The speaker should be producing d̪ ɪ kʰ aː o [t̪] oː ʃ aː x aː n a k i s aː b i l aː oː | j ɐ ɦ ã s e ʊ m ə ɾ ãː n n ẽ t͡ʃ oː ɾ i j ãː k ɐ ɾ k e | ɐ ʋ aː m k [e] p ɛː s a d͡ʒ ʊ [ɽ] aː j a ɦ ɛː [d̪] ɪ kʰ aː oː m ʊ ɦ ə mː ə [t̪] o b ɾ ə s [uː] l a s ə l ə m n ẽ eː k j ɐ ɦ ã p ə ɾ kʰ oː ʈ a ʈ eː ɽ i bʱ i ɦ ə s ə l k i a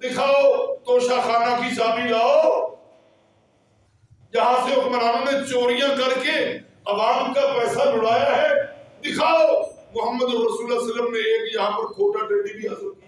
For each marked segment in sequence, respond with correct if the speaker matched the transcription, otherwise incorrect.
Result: correct, incorrect: a, correct, correct, incorrect: d̪, correct

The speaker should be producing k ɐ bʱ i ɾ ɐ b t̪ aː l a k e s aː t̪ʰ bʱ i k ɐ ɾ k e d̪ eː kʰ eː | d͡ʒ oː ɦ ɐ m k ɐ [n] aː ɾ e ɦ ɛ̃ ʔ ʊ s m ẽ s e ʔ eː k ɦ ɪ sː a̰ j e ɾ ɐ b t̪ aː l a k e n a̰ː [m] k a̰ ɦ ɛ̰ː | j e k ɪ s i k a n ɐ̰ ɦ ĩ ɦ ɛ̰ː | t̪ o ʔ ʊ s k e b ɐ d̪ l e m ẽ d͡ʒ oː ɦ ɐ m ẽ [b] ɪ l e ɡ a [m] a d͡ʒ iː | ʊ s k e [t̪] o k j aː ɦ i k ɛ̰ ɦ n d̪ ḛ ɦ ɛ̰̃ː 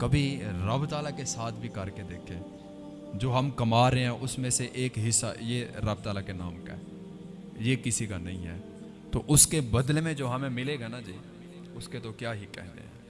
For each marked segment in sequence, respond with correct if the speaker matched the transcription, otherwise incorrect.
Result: incorrect: m, correct, incorrect: m, incorrect: n, correct

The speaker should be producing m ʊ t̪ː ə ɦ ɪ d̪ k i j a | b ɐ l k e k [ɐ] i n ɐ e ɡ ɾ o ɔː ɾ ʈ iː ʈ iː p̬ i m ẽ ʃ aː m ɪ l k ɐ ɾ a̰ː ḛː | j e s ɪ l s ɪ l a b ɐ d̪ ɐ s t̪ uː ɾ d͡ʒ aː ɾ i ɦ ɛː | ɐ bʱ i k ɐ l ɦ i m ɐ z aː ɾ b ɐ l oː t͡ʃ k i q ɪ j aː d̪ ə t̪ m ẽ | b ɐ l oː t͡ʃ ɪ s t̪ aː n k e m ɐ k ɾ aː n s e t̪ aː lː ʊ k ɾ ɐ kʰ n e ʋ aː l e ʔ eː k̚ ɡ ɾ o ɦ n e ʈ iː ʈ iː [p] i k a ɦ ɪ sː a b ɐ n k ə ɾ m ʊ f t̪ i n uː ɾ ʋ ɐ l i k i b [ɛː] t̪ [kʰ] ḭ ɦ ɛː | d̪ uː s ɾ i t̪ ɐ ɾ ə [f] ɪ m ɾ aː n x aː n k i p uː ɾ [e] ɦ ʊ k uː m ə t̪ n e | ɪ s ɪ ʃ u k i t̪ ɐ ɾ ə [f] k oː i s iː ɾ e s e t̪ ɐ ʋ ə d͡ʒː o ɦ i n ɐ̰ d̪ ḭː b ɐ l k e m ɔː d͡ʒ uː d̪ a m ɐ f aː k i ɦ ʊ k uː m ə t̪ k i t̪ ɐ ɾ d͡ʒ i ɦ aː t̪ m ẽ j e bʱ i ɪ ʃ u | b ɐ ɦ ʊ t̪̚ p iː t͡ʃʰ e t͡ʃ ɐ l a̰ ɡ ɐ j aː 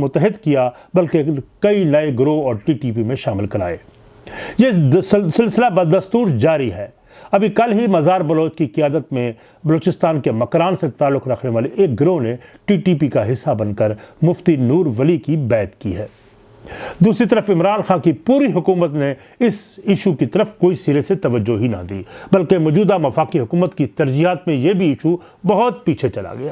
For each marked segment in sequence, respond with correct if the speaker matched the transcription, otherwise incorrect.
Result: correct, correct, correct, incorrect: k, correct, incorrect: i, correct

